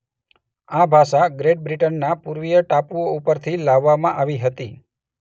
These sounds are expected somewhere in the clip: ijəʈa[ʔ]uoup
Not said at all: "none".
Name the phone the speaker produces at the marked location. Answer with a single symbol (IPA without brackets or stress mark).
p